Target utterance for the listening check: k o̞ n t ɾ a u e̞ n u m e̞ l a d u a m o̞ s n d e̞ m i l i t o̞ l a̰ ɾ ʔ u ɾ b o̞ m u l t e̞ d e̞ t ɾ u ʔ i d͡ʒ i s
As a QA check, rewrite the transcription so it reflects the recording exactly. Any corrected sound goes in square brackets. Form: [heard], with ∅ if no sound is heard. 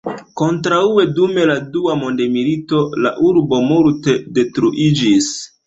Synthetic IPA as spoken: k o̞ n t ɾ a u e̞ [d] u m e̞ l a d u a m o̞ [∅] n d e̞ m i l i t o̞ l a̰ [∅] ʔ u ɾ b o̞ m u l t e̞ d e̞ t ɾ u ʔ i d͡ʒ i s

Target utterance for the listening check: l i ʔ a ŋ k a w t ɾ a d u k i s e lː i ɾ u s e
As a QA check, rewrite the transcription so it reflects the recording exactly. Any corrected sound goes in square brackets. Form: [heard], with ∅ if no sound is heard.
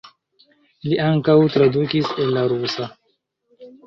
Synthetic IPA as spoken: l i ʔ a ŋ k a w t ɾ a d u k i s e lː [a] ɾ u s [a]

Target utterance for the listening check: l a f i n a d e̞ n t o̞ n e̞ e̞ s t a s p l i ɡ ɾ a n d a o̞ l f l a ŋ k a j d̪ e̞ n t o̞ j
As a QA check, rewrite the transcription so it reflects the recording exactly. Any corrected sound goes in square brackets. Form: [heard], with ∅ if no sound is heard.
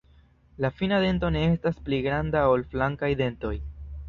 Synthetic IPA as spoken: l a f i n a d e̞ n t o̞ n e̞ e̞ s t a s p l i ɡ ɾ a n d a o̞ l f l a ŋ k a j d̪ e̞ n t o̞ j

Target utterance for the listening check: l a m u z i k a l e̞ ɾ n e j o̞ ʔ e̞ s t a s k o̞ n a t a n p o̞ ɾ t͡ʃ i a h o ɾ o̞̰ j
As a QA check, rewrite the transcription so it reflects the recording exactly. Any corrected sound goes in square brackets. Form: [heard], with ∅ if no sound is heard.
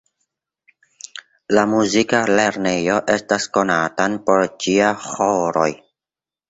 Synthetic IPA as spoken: l a m u z i k a l e̞ ɾ n e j o̞ ʔ e̞ s t a s k o̞ n a t a n p o̞ ɾ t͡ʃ i a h o ɾ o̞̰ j

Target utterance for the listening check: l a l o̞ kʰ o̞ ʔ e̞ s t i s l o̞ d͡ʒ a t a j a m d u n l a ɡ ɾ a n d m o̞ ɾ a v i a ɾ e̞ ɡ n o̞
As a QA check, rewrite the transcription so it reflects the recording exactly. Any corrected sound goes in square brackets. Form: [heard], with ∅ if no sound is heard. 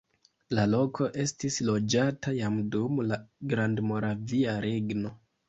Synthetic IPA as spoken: l a l o̞ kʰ o̞ ʔ e̞ s t i s l o̞ d͡ʒ a t a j a m d u [m] l a ɡ ɾ a n d m o̞ ɾ a v i a ɾ e̞ ɡ n o̞

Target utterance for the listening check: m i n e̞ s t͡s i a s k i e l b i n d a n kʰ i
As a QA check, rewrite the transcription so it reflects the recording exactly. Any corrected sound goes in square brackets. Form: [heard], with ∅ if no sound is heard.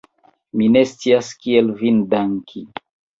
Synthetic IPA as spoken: m i n e̞ s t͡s i a s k i e l [v] i n d a [ŋ] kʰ i

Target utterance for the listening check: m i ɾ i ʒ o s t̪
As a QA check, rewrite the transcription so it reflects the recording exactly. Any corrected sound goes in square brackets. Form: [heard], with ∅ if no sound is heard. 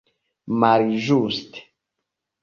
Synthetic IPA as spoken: m [a] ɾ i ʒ [u] s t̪

